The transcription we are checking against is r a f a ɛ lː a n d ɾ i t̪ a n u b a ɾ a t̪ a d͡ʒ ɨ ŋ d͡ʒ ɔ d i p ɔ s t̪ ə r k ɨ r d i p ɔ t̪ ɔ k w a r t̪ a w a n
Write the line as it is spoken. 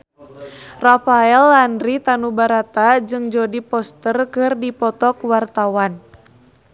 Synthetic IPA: r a f a ɛ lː a n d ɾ i t̪ a n u b a ɾ a t̪ a d͡ʒ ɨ ŋ d͡ʒ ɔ d i p ɔ s t̪ ə r k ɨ r d i p ɔ t̪ ɔ k w a r t̪ a w a n

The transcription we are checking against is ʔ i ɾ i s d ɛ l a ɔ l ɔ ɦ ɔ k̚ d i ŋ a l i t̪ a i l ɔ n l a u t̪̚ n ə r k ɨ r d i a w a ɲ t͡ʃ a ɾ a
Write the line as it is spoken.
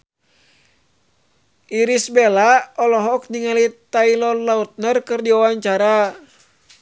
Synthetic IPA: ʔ i ɾ i s b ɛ l a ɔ l ɔ ɦ ɔ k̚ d i ŋ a l i t̪ a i l ɔ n l a u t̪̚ n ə r k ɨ r d i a w a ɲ t͡ʃ a ɾ a

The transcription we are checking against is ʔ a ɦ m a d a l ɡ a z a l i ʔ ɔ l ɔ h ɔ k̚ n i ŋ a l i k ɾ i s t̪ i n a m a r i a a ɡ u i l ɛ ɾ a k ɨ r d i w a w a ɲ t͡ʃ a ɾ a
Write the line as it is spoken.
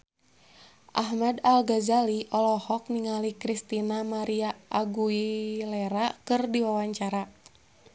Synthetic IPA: ʔ a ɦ m a d a l ɡ a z a l i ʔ ɔ l ɔ h ɔ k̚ n i ŋ a l i k ɾ i s t̪ i n a m a ɾ i a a ɡ u i l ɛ ɾ a k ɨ r d i w a w a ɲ t͡ʃ a ɾ a

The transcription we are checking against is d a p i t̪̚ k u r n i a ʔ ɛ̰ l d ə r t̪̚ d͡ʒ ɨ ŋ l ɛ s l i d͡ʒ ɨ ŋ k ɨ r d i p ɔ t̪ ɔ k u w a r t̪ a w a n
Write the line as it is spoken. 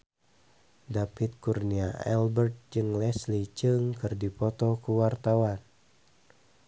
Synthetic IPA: d a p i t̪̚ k u r n i a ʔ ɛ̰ l b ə r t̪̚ d͡ʒ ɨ ŋ l ɛ s l i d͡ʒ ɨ ŋ k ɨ r d i p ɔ t̪ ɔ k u w a r t̪ a w a n

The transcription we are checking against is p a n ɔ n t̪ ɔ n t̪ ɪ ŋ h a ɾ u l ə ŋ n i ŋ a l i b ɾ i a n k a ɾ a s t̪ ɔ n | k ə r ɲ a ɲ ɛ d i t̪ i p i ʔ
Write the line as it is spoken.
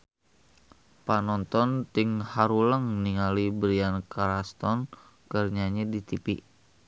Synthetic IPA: p a n ɔ n t̪ ɔ n t̪ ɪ ŋ h a ɾ u l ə ŋ n i ŋ a l i b ɾ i a n k a ɾ a s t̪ ɔ n | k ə r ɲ a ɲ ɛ d i t̪ i p i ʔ

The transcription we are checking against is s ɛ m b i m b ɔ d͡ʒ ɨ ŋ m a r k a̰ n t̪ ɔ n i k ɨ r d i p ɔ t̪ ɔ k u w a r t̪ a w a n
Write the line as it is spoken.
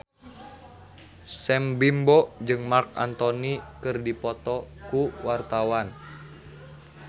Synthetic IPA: s ɛ m b i m b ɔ d͡ʒ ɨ ŋ m a r k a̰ n t̪ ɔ n i k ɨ r d i p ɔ t̪ ɔ k u w a r t̪ a w a n

